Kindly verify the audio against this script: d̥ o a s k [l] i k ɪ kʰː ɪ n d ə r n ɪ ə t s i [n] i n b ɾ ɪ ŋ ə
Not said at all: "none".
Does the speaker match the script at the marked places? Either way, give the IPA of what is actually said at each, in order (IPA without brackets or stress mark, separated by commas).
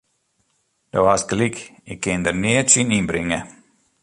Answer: l, n